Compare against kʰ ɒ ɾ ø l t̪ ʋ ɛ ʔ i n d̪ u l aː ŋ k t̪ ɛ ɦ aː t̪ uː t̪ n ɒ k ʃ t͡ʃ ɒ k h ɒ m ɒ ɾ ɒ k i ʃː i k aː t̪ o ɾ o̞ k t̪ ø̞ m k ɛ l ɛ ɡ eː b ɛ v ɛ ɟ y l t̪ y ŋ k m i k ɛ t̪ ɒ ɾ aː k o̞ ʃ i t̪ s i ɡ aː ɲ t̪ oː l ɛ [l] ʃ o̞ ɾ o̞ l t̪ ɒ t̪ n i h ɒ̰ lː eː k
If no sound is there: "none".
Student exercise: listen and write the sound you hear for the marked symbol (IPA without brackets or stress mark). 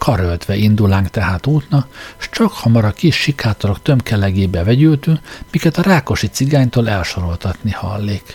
l